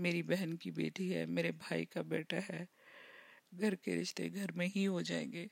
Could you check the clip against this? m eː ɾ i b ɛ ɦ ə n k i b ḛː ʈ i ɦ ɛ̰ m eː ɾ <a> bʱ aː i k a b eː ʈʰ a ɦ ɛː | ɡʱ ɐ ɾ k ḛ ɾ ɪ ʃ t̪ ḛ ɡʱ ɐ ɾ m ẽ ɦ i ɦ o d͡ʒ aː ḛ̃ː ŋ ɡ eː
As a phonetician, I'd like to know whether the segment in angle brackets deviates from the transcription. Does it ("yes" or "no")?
yes